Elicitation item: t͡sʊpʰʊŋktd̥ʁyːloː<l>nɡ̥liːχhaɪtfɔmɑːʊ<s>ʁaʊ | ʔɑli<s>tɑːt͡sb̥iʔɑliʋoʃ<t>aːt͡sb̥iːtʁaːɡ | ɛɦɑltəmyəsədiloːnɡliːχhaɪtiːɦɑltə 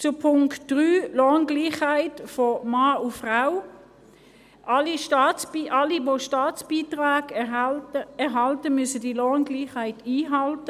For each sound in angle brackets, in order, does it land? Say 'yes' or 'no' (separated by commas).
no, no, no, yes